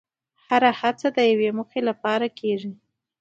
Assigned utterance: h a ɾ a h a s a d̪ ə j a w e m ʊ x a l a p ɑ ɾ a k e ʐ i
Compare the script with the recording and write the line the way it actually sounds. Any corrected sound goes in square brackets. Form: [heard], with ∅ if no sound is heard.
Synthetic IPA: h a ɾ a h a [t͡s] a d̪ ə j a w e m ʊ x [e] l a p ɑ ɾ a k e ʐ i